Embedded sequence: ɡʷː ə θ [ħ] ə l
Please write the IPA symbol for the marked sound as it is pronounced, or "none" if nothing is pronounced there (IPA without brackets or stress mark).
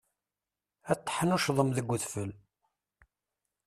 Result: f